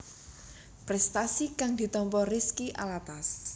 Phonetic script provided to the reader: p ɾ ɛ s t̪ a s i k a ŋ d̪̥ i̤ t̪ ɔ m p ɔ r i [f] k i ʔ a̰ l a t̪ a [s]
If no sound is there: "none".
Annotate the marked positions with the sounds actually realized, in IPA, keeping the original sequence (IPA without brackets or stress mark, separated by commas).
s, s